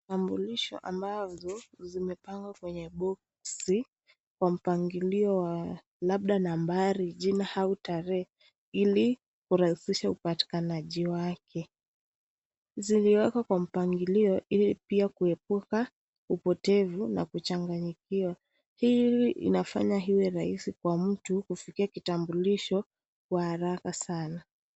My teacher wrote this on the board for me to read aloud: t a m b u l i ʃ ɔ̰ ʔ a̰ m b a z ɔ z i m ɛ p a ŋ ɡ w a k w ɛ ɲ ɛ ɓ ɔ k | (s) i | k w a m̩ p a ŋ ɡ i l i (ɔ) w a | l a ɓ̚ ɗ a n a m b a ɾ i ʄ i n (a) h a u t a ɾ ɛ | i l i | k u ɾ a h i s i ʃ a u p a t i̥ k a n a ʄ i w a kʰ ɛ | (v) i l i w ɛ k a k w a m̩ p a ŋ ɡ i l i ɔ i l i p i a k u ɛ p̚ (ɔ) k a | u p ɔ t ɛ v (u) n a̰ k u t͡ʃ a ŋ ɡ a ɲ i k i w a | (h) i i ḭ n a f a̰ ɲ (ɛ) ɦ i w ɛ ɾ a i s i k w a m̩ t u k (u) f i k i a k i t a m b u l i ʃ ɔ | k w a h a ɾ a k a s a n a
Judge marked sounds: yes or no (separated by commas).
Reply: yes, yes, yes, no, no, yes, yes, no, yes